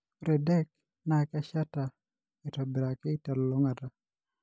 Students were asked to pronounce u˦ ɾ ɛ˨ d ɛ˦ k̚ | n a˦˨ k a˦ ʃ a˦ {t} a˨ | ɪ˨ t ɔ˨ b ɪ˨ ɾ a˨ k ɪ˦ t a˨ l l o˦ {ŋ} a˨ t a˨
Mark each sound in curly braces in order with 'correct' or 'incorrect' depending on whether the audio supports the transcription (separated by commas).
correct, correct